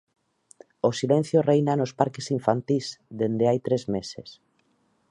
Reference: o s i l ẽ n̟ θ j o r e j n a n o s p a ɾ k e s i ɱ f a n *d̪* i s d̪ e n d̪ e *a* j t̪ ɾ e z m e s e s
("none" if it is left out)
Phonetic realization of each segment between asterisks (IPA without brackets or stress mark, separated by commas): t̪, a